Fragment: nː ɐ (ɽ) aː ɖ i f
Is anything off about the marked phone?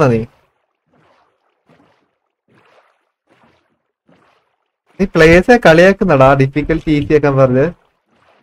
no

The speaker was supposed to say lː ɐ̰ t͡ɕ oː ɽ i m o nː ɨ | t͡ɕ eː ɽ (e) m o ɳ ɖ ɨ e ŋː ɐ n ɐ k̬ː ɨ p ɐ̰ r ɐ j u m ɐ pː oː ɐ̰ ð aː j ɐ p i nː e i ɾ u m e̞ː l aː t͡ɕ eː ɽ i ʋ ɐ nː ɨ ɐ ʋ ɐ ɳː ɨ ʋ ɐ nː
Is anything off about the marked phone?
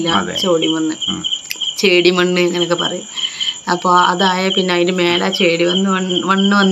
yes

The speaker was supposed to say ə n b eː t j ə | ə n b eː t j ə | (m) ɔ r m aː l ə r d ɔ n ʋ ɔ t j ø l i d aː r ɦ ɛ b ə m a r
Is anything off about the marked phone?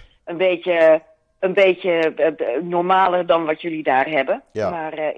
yes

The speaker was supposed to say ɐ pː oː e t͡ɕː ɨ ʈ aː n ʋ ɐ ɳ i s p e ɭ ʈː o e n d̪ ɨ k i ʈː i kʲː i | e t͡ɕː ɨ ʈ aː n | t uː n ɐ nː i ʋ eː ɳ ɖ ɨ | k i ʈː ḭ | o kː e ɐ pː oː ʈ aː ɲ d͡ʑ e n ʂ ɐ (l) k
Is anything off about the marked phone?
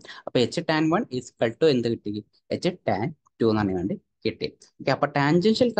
no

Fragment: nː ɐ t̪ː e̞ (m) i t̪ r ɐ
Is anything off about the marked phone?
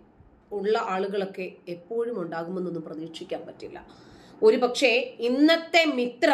no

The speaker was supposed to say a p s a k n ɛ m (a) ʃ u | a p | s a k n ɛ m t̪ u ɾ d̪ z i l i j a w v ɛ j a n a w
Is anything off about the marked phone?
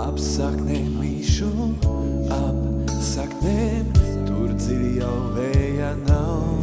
yes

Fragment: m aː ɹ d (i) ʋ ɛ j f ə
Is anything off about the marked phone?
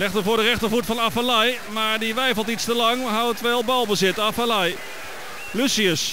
no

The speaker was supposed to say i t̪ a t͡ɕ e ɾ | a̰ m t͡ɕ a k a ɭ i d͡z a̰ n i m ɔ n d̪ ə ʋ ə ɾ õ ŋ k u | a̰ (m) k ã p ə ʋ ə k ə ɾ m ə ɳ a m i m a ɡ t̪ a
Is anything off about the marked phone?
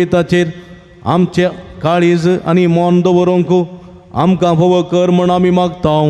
no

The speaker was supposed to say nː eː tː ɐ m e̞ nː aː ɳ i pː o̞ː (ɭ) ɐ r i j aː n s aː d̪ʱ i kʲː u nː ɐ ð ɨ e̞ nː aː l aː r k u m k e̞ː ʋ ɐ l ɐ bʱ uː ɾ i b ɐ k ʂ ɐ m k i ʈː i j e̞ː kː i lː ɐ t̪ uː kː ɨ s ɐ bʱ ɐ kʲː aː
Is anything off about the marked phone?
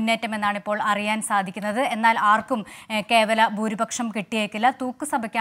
no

